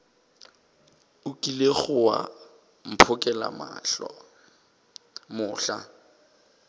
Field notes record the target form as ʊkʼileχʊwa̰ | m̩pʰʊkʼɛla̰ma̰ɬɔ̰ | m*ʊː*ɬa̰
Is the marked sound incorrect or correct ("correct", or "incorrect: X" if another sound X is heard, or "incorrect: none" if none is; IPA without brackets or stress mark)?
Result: correct